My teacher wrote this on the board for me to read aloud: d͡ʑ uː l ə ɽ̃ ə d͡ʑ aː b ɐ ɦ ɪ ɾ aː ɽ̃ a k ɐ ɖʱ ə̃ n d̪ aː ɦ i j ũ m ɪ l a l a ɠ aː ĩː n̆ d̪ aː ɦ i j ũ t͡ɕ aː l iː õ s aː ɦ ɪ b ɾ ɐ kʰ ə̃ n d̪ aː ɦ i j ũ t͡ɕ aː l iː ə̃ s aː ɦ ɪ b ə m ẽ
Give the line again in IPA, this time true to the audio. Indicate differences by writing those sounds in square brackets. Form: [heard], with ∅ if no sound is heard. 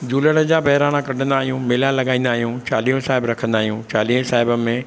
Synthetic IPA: d͡ʑ uː l ə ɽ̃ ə d͡ʑ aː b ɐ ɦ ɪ ɾ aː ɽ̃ a k ɐ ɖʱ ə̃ n d̪ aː ɦ i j ũ m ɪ l a l [ɐ] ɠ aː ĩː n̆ d̪ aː ɦ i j ũ t͡ɕ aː l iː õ s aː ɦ ɪ b ɾ ɐ kʰ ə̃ n d̪ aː ɦ i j ũ t͡ɕ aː l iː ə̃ s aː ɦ ɪ b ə m ẽ